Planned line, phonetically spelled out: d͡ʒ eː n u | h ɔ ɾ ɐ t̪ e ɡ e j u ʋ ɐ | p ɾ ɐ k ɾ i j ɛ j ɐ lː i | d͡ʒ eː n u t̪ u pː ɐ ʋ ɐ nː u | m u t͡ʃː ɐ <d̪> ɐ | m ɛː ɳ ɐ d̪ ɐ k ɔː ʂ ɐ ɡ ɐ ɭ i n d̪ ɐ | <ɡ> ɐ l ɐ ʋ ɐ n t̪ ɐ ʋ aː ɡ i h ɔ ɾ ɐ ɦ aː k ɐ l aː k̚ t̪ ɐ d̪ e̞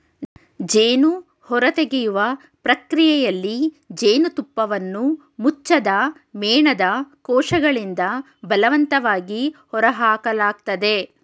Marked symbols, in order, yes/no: yes, no

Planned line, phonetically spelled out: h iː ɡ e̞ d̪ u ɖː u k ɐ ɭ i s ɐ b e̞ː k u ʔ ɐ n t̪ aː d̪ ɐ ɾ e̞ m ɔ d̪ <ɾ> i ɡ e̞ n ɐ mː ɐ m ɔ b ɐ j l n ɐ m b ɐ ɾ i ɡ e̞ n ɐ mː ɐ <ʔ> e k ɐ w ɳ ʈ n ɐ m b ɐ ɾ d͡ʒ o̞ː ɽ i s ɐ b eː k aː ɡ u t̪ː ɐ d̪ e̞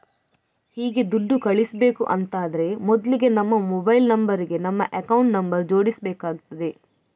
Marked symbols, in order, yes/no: no, yes

